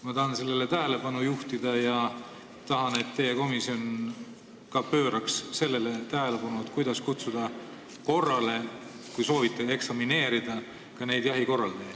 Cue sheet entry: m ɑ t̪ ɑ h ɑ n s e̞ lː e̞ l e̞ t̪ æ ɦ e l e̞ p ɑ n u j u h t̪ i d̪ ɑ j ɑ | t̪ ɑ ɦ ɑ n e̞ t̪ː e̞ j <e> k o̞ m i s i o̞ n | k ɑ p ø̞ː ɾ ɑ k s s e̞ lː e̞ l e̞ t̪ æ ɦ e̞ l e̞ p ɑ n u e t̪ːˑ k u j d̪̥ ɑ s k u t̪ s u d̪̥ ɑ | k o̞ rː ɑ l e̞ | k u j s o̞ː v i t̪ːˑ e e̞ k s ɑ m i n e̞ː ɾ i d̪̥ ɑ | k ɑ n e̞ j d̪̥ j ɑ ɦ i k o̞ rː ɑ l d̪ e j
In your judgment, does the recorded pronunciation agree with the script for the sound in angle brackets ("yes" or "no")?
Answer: yes